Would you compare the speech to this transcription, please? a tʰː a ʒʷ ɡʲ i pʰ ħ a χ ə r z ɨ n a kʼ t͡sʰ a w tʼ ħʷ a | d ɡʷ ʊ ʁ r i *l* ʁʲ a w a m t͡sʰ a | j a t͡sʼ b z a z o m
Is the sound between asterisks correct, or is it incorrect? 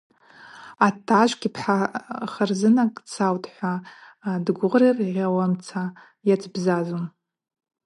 incorrect